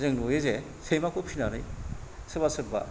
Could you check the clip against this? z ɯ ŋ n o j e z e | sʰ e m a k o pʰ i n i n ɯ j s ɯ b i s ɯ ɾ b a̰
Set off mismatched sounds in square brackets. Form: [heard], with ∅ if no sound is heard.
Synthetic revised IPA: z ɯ ŋ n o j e z e | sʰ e m a k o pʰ i n [a] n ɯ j s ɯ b [a] s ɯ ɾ b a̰

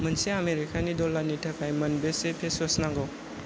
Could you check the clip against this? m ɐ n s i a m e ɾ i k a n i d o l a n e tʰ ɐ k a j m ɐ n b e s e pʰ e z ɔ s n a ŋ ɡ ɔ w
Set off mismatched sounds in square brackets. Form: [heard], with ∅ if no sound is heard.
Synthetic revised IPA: m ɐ n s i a m e ɾ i k a n i d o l a n [i] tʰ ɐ k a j m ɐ n b e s e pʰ e [s] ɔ s n a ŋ ɡ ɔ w

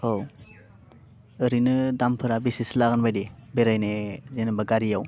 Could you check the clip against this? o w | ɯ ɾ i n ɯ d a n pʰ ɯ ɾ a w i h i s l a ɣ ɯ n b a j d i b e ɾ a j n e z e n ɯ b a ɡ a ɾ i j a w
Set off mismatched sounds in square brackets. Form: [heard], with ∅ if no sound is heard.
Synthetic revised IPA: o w | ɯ ɾ i n ɯ d a [m] pʰ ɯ ɾ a [b] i [s] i s l a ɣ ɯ n b a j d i b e ɾ a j n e z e n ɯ b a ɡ a ɾ i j a w

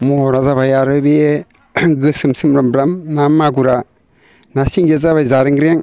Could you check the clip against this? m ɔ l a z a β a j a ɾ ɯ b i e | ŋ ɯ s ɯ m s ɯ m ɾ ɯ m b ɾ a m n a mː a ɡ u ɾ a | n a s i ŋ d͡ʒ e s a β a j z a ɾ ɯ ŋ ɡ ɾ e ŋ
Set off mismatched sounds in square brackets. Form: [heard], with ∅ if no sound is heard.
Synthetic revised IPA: m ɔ [ɾ] a z a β a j a ɾ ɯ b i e | [ɡ] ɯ s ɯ m s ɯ m ɾ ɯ m b ɾ a m n a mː a ɡ u ɾ a | n a s i ŋ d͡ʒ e [z] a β a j z a ɾ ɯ ŋ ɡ ɾ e ŋ

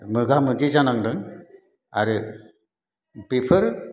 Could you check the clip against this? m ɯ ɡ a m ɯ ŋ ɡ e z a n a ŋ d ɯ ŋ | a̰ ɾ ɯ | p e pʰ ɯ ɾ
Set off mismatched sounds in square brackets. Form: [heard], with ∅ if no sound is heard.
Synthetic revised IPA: m ɯ ɡ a m ɯ [∅] ɡ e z a n a ŋ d ɯ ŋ | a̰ ɾ ɯ | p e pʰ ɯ ɾ

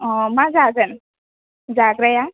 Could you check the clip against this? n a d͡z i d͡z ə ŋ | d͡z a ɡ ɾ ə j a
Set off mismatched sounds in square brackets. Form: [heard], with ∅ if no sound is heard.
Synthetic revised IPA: [m] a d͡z [a] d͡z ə [n] | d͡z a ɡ ɾ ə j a

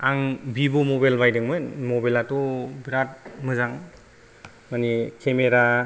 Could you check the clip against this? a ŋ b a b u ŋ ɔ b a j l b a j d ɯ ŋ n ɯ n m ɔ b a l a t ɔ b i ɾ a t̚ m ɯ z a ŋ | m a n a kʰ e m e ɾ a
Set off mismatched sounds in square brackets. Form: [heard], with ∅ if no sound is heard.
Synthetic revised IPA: a ŋ b [i] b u [m] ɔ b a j l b a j d ɯ ŋ [m] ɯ n m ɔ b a l a t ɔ b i ɾ a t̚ m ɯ z a ŋ | m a n [i] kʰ e m e ɾ a

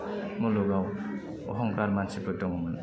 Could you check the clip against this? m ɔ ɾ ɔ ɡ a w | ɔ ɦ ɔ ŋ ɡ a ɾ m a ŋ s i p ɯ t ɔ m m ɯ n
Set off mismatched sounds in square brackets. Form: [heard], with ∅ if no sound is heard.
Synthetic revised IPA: m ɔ [l] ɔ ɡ a w | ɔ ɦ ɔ ŋ [k] a ɾ m a [n] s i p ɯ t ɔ [ŋ] m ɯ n

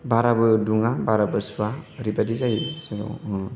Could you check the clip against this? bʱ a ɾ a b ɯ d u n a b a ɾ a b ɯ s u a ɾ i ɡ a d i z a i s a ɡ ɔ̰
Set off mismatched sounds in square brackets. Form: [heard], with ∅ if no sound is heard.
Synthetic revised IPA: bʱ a ɾ a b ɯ d u [ŋ] a b a ɾ a b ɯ s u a ɾ i [b] a d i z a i s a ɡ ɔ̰

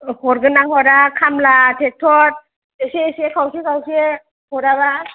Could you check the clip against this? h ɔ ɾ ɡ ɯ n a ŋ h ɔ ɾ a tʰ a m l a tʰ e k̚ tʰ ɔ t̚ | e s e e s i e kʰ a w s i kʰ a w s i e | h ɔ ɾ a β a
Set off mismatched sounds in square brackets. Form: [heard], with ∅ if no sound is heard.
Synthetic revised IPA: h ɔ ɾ ɡ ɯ n a ŋ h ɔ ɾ a [kʰ] a m l a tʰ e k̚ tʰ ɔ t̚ | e s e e s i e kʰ a w s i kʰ a w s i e | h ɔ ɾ a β a

